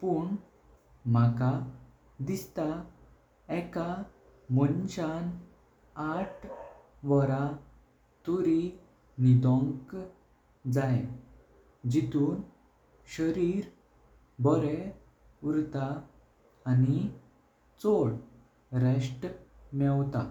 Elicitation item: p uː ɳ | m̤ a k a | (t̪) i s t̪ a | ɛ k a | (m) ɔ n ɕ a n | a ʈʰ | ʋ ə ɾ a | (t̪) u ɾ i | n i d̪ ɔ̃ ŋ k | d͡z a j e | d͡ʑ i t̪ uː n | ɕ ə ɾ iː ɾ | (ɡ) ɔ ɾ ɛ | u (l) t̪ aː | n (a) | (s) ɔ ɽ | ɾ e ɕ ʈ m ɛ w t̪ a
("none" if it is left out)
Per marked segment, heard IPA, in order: d̪, m, t̪, b, ɾ, i, t͡s

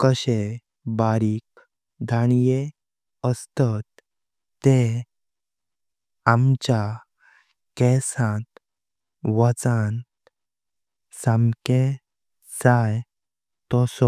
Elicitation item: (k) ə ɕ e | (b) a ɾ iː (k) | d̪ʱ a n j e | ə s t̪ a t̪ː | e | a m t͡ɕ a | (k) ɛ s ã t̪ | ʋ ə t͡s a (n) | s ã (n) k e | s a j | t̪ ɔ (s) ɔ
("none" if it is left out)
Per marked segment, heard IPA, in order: k, b, k, k, n, m, s

